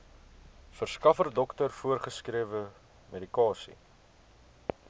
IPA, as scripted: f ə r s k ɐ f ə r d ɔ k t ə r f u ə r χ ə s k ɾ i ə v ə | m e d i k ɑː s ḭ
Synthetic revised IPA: f ə r s k ɐ f ə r d ɔ k t ə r f u ə r χ ə s k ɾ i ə v ə | m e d i k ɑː s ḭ